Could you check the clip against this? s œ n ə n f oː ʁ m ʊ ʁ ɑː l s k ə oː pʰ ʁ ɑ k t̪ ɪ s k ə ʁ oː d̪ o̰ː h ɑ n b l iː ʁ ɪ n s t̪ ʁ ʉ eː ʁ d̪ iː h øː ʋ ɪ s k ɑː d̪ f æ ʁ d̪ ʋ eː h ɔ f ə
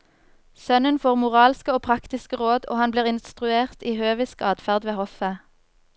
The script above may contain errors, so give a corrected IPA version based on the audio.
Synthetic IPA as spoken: s œ n ə n f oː ʁ m ʊ ʁ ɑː l s k ə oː pʰ ʁ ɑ k t̪ ɪ s k ə ʁ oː d̪ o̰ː h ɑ n b l iː ʁ ɪ n s t̪ ʁ ʉ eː ʁ t̪ iː h øː ʋ ɪ s k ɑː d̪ f æ ʁ d̪ ʋ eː h ɔ f ə